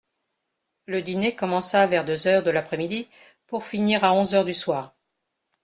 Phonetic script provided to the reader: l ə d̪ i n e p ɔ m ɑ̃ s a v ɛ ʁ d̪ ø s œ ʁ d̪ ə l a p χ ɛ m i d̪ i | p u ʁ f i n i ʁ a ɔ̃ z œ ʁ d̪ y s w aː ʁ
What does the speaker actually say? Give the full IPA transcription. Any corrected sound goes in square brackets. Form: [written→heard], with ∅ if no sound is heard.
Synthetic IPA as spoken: l ə d̪ i n e [p→k] ɔ m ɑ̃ s a v ɛ ʁ d̪ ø [s→z] œ ʁ d̪ ə l a p χ ɛ m i d̪ i | p u ʁ f i n i ʁ a ɔ̃ z œ ʁ d̪ y s w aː ʁ